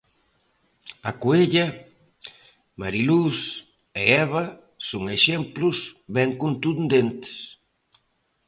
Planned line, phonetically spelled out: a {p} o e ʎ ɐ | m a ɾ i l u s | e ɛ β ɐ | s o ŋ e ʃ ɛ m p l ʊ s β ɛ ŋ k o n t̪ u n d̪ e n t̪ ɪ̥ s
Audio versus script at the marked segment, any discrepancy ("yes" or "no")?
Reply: yes